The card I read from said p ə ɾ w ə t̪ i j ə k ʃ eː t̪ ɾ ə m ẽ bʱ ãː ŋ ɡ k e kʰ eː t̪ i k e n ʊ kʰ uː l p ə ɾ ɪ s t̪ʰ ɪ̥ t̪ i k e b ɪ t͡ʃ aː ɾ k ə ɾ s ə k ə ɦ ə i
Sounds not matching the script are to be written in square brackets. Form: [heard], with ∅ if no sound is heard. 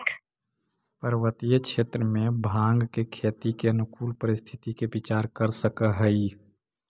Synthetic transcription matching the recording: p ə ɾ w ə t̪ i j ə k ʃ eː t̪ ɾ ə m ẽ bʱ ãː ŋ ɡ k e kʰ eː t̪ i k e n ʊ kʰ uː l p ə ɾ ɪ s t̪ʰ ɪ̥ t̪ i k e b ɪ t͡ʃ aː ɾ k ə ɾ s ə k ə ɦ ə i